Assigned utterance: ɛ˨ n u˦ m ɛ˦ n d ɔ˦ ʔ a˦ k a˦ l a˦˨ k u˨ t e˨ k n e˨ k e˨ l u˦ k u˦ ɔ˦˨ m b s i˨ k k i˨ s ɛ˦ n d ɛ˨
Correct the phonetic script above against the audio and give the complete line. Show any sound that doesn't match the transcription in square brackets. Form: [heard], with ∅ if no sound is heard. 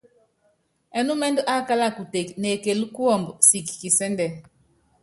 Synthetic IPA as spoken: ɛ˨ n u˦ m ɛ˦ n d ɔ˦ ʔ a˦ k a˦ l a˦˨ k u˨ t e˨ k n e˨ k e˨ l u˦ k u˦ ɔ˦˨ m b s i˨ k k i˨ s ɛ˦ n d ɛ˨